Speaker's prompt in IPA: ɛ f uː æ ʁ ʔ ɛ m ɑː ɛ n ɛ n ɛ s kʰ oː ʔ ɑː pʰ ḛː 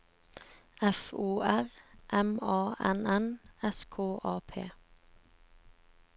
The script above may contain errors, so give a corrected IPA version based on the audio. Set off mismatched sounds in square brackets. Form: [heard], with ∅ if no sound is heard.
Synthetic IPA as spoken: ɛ f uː æ ʁ ʔ ɛ m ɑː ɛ n ɛ n ɛ s kʰ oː ʔ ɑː pʰ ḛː